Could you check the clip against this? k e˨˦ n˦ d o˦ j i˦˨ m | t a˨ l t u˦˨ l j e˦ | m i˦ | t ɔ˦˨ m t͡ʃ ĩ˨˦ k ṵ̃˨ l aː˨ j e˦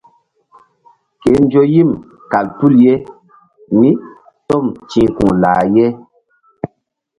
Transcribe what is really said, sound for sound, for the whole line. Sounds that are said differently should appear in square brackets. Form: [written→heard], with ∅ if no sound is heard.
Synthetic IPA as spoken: k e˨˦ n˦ [d→d͡ʒ] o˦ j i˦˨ m | [t→k] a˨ l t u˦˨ l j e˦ | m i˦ | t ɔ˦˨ m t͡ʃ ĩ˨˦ k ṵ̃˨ l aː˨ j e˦